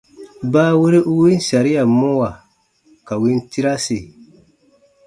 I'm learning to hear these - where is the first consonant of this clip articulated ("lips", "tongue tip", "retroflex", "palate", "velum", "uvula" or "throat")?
lips